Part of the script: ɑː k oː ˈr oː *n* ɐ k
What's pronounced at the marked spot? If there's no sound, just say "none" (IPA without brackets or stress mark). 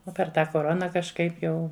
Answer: n